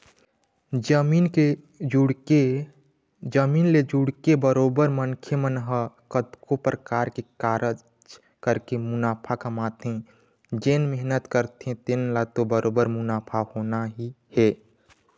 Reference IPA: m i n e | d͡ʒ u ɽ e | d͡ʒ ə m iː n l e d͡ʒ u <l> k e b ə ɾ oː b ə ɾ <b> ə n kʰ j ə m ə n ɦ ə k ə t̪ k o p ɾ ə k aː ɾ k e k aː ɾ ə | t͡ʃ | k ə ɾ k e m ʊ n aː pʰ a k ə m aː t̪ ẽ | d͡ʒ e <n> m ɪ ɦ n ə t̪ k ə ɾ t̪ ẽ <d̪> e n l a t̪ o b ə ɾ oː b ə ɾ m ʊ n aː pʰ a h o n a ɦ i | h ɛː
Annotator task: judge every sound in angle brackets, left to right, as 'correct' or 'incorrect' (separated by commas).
incorrect, incorrect, correct, incorrect